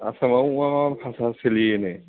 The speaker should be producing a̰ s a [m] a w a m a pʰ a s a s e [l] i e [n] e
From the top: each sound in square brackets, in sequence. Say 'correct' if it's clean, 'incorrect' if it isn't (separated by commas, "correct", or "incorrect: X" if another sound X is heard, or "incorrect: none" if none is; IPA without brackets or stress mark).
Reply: correct, correct, correct